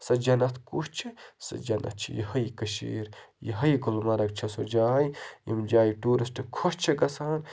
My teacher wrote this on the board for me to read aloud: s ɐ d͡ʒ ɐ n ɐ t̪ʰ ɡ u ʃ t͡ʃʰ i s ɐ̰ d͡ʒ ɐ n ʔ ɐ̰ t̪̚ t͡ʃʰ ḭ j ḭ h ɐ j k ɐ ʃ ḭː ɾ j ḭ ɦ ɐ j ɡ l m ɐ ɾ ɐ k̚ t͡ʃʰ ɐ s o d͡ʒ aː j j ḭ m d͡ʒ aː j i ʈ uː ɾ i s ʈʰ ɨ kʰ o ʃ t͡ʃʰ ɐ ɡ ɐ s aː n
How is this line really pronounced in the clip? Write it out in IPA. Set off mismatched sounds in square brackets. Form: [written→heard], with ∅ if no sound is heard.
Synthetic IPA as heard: s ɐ d͡ʒ ɐ n ɐ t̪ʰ [ɡ→k] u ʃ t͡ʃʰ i s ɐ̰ d͡ʒ ɐ n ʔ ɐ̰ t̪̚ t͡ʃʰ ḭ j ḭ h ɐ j k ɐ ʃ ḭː ɾ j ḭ ɦ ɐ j ɡ l m ɐ ɾ ɐ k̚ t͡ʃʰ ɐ s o d͡ʒ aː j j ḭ m d͡ʒ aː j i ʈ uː ɾ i s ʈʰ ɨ kʰ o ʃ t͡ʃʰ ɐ ɡ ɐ s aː n